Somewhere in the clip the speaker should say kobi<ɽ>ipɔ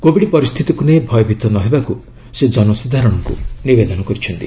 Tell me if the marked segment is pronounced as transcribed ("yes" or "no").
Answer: yes